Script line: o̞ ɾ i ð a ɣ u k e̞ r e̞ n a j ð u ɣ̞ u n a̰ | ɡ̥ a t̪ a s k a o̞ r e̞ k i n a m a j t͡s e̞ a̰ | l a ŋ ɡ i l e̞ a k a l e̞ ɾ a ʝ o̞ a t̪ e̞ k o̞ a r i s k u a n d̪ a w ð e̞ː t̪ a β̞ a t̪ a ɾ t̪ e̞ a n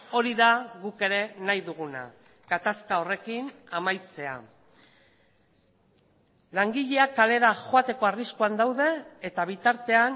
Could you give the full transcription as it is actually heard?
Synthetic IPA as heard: o̞ ɾ i ð a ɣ u k e̞ ɾ e̞ n a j ð u ɣ̞ u n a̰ | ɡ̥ a t̪ a s k a o̞ r e̞ k i n a m a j t͡s e̞ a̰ | l a ŋ ɡ i ʎ e̞ a k a l e̞ ɾ a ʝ o̞ a t̪ e̞ k o̞ a r i s k u a n d̪ a w ð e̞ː t̪ a β̞ i t̪ a ɾ t̪ e̞ a n